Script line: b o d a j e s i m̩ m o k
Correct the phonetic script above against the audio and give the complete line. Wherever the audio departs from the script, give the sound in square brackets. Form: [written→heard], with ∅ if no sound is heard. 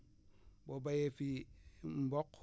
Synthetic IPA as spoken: b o [d→b] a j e [s→f] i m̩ [m→b] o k